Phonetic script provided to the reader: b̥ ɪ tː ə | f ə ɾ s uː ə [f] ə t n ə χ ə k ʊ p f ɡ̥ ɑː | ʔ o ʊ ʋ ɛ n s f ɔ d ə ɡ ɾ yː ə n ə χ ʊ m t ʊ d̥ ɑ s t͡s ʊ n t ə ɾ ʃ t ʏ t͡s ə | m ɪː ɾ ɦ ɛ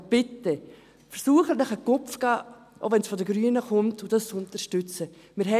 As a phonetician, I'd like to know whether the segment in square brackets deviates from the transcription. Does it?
yes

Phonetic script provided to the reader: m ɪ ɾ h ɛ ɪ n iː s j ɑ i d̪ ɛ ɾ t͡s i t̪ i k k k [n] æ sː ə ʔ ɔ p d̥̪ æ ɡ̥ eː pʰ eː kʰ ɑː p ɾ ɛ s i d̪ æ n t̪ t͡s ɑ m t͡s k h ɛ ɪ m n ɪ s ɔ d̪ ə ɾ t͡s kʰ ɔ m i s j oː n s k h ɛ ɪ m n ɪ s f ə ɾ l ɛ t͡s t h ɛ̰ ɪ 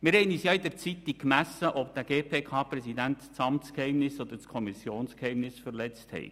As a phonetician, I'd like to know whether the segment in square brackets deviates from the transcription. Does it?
yes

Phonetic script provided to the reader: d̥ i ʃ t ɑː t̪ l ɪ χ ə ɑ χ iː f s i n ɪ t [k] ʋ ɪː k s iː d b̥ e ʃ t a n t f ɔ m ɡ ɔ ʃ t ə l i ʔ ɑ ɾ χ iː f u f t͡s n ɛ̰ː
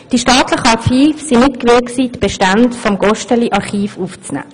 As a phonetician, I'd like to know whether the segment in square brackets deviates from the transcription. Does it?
no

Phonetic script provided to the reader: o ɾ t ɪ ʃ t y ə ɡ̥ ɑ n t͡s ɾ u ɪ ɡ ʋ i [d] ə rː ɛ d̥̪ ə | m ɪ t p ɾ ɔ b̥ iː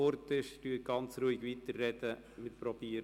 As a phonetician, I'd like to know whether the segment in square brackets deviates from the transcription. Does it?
yes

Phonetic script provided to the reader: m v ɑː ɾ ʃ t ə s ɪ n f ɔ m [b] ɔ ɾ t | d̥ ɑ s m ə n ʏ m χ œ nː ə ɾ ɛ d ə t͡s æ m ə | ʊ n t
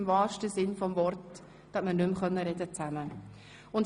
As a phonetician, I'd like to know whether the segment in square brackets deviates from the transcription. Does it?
yes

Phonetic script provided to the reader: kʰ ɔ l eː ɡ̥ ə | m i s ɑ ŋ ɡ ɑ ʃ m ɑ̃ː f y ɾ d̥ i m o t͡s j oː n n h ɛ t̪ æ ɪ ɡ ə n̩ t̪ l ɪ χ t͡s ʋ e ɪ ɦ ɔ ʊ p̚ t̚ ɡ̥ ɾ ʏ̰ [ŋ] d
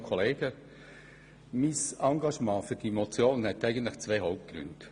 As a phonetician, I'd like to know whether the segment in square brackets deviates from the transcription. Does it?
yes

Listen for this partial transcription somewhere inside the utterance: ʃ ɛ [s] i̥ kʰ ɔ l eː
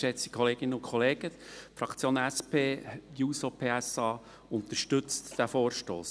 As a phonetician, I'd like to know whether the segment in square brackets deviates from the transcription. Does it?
yes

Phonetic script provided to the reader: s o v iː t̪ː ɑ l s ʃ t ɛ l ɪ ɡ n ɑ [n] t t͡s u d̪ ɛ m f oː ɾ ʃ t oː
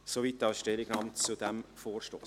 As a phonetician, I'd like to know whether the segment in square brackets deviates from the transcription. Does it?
yes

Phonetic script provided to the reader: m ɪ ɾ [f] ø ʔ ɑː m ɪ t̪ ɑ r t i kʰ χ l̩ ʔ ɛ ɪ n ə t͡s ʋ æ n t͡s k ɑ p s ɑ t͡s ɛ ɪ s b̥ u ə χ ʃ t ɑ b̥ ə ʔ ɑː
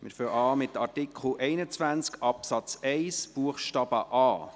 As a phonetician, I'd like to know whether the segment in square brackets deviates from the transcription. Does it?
no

